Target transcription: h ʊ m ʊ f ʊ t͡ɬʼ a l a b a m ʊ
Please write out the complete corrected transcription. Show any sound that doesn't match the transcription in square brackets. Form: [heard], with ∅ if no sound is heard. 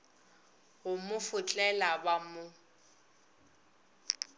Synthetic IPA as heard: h ʊ m ʊ f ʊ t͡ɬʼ [ɛ] l a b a m ʊ